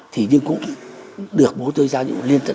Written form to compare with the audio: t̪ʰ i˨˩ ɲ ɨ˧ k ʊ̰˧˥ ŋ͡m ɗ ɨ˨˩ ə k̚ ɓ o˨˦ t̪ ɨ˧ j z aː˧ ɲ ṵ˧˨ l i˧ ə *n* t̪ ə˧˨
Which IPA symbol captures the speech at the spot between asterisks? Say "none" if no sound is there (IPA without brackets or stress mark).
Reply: n